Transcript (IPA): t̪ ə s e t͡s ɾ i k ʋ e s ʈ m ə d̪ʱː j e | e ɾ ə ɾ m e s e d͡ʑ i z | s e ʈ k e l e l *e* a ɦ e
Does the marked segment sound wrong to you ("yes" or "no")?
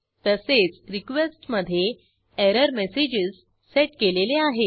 no